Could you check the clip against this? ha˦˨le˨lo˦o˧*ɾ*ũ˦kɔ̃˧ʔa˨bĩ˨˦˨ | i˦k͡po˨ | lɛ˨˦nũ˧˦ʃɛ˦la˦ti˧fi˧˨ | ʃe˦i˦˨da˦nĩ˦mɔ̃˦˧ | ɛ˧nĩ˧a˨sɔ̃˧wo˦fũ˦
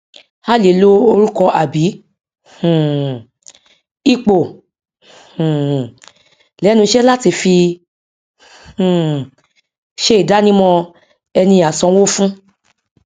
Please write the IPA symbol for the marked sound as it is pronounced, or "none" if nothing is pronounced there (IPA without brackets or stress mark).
ɾ